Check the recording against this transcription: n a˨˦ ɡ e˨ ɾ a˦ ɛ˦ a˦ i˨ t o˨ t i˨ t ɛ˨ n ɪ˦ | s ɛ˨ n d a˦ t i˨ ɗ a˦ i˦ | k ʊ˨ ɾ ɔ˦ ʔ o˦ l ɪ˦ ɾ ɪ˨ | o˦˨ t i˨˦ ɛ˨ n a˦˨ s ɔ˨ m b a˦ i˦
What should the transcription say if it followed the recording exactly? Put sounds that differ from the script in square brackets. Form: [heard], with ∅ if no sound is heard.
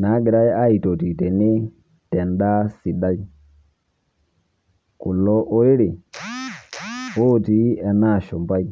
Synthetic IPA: n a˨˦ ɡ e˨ ɾ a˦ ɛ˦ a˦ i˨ t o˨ t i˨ t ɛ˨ n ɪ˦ | [t] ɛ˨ n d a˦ [s] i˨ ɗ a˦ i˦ | k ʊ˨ [l] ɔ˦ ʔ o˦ [ɾ] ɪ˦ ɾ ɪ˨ | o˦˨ t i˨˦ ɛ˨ n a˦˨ [ʃ] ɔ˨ m b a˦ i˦